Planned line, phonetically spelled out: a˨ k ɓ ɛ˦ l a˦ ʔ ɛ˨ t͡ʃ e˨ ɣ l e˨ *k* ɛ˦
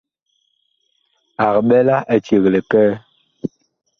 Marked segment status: correct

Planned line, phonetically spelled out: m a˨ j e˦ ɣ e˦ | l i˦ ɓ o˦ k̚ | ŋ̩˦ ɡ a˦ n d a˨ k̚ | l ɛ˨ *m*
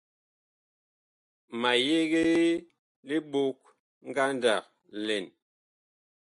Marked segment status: incorrect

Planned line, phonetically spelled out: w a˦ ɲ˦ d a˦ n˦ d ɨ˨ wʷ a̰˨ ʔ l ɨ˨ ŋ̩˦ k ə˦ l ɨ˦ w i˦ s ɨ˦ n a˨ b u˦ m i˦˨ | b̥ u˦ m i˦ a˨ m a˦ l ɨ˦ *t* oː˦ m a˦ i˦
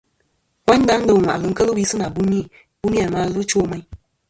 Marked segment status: incorrect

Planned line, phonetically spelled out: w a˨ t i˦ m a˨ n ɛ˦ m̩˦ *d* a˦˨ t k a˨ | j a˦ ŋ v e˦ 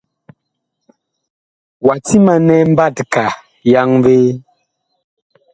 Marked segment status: incorrect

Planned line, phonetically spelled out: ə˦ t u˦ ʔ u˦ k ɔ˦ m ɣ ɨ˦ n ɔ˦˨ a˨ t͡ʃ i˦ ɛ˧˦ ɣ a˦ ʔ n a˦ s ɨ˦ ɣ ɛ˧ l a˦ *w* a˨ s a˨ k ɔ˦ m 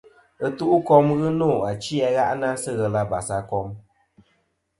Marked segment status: incorrect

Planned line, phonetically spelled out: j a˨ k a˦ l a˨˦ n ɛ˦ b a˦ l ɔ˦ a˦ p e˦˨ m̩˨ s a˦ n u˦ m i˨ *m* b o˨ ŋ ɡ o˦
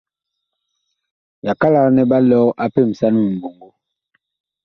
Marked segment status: correct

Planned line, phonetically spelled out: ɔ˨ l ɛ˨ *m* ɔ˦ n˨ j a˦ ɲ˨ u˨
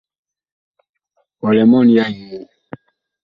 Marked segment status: correct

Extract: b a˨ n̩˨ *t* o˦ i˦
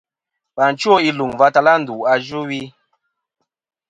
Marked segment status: incorrect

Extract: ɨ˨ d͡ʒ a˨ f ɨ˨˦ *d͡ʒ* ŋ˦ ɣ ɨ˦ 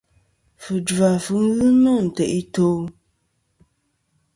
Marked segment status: incorrect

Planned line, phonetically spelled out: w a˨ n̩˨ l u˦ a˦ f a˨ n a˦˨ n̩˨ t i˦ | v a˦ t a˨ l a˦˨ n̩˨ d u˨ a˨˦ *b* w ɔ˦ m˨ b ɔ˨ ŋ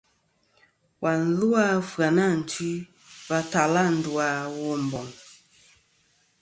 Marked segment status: incorrect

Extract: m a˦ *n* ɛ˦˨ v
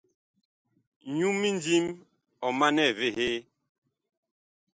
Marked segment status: correct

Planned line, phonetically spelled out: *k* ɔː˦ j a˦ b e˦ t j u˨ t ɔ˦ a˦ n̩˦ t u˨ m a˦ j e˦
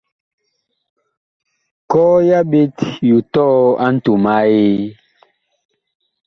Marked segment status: correct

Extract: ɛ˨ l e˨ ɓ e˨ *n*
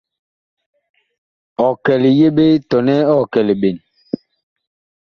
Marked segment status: correct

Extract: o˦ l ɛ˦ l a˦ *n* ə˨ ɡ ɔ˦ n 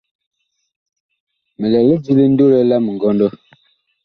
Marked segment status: incorrect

